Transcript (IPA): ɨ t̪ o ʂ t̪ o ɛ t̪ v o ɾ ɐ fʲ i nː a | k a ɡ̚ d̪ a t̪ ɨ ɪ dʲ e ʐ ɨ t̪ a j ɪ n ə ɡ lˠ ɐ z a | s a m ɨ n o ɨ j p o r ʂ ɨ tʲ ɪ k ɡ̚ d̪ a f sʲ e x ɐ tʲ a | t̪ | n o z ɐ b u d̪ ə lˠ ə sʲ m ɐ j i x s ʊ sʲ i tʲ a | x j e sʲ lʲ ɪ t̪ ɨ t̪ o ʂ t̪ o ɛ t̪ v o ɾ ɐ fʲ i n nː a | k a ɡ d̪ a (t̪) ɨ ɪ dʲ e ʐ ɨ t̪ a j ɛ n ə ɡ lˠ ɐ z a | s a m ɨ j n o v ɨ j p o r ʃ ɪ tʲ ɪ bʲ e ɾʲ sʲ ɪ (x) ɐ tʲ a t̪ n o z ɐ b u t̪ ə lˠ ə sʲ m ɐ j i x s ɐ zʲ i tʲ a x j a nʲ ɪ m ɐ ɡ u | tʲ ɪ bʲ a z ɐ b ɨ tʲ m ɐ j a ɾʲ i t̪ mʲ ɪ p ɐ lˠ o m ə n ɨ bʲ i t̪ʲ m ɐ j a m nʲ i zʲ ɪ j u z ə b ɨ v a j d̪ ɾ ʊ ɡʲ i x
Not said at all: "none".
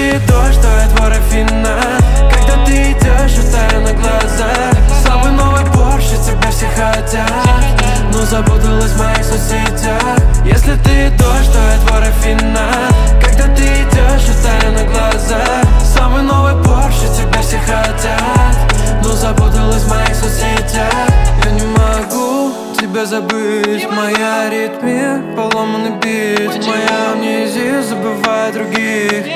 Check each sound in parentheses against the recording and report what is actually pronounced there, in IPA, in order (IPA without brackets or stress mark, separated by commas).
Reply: t̪, x